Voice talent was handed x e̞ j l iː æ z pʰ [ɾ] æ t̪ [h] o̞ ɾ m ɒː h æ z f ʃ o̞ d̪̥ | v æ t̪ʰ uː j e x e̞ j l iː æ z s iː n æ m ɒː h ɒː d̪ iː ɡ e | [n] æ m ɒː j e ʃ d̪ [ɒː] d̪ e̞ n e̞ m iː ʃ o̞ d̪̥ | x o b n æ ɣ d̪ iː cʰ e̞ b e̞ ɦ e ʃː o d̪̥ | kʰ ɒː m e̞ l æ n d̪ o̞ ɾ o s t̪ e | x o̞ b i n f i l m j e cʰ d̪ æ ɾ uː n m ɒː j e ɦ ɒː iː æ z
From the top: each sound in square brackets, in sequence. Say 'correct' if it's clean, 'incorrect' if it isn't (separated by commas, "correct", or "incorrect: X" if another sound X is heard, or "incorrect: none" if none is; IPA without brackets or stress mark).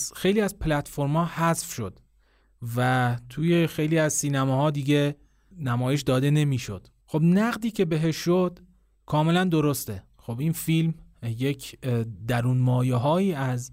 incorrect: l, incorrect: f, correct, correct